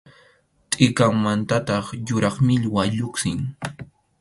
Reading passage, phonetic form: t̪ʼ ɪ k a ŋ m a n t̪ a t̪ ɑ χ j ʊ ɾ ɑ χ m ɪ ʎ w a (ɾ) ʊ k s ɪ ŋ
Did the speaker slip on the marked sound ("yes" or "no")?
yes